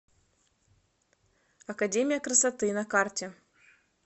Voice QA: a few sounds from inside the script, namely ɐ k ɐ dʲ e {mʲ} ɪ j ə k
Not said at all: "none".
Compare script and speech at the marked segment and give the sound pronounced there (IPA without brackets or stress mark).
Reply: mʲ